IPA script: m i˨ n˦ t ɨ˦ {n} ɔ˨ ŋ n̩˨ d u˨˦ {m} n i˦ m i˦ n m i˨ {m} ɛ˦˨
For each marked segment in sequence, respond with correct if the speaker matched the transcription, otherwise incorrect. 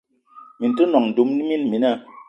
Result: correct, correct, incorrect

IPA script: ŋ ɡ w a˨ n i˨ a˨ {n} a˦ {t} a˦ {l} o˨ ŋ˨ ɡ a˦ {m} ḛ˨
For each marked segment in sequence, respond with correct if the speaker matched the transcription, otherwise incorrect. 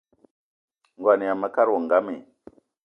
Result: incorrect, incorrect, incorrect, correct

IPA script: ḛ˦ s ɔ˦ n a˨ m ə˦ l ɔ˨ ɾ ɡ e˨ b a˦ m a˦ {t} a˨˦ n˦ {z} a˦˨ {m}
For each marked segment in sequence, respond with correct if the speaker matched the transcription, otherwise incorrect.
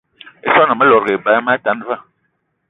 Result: correct, incorrect, incorrect

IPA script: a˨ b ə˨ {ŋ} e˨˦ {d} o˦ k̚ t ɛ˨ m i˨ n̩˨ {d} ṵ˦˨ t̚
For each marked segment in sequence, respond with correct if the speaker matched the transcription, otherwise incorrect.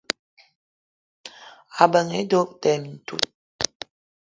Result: correct, correct, incorrect

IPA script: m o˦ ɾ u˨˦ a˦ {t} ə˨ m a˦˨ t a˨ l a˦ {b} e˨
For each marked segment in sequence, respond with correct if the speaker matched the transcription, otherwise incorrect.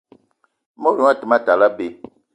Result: correct, correct

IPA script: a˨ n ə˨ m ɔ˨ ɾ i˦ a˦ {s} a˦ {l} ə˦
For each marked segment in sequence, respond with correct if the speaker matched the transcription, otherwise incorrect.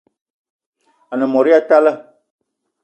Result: incorrect, correct

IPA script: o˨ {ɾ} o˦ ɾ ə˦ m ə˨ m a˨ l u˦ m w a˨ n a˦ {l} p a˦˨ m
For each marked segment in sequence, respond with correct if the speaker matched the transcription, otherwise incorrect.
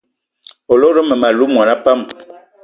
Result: incorrect, incorrect

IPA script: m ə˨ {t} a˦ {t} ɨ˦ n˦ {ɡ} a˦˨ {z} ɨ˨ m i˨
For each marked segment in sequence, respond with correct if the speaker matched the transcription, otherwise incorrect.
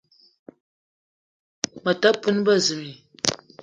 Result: correct, incorrect, incorrect, correct

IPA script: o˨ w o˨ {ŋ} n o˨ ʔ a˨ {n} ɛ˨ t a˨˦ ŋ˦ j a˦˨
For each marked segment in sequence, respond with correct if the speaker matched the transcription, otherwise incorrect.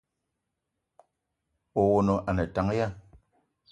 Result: incorrect, correct

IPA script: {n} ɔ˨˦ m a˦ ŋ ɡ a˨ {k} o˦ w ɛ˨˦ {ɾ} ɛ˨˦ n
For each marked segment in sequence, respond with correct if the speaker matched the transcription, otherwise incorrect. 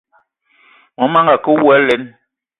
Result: incorrect, correct, incorrect

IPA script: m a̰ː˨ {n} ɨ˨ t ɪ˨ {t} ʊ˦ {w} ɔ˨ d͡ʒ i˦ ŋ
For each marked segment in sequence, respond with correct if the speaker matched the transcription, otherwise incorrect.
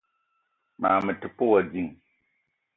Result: incorrect, incorrect, correct

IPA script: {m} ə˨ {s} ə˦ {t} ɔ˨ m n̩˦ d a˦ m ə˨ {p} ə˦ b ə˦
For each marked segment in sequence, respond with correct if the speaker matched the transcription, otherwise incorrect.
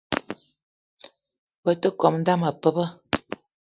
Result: incorrect, incorrect, incorrect, correct

